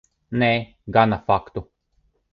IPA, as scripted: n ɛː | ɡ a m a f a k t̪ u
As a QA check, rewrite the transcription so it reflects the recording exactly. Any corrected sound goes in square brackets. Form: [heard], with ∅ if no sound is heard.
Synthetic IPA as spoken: n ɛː | ɡ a [n] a f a k t̪ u